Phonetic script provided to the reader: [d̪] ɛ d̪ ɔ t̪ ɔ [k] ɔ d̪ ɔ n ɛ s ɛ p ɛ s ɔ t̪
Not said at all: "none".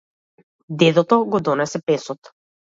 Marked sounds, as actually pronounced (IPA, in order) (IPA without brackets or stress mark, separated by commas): d̪, ɡ